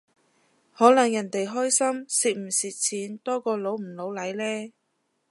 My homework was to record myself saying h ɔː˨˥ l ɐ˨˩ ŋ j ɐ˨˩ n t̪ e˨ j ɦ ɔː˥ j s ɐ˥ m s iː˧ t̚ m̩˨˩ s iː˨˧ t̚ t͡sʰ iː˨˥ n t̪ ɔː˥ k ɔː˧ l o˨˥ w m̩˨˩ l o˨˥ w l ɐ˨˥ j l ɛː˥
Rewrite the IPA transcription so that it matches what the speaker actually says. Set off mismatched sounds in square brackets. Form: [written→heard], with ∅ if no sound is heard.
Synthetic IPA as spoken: h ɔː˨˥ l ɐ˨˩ ŋ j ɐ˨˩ n t̪ e˨ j ɦ ɔː˥ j s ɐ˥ m s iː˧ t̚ m̩˨˩ s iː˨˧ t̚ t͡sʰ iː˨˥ n t̪ ɔː˥ k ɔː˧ l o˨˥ w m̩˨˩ l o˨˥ w l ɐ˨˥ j l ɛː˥